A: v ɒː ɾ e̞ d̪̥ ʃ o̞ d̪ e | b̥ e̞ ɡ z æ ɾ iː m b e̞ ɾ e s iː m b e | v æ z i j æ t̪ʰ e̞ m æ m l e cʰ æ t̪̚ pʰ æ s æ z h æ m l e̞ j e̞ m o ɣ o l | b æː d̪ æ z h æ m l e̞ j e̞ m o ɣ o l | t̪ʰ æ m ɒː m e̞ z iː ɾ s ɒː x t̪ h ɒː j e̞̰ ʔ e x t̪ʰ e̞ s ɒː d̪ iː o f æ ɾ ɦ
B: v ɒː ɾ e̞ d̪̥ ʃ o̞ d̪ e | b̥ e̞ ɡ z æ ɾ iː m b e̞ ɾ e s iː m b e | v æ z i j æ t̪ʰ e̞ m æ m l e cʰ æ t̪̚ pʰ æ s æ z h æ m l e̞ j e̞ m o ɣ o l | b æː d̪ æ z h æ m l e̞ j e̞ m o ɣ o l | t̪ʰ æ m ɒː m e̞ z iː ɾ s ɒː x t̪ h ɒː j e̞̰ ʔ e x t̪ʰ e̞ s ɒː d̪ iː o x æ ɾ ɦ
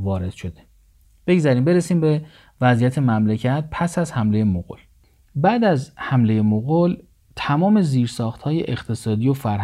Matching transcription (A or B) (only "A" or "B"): A